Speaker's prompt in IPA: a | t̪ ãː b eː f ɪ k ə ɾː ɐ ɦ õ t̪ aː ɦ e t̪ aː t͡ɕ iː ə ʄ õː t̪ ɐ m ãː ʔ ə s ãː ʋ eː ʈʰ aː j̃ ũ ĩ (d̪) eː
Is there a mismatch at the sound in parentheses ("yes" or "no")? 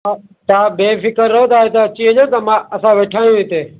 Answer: yes